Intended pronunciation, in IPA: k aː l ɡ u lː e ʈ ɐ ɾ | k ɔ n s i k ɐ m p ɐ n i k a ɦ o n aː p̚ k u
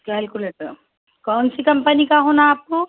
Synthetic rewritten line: k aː l k u l e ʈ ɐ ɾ | k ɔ n s i k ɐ m p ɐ n i k a ɦ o n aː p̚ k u